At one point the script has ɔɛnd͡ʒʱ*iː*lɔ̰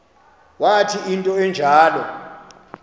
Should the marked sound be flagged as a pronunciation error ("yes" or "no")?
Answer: yes